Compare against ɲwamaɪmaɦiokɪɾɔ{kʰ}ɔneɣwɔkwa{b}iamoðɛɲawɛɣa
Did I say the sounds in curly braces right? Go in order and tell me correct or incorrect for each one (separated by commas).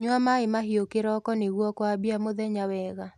incorrect, correct